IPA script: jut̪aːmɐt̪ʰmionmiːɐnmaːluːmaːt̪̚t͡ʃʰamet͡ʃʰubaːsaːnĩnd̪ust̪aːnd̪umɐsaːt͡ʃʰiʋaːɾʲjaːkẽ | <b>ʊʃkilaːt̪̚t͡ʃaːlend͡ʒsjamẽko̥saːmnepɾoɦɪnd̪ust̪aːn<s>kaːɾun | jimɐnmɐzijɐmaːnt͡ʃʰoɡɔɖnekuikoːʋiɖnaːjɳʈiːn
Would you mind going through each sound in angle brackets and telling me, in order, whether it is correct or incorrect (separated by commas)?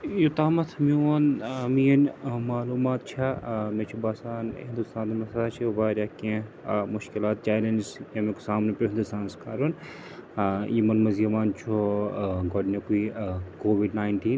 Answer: incorrect, correct